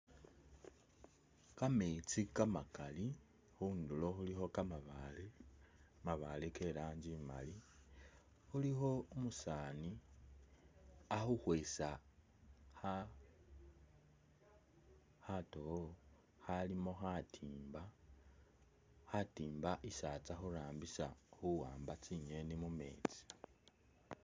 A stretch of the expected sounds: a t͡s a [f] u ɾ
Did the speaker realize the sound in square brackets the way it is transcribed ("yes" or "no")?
no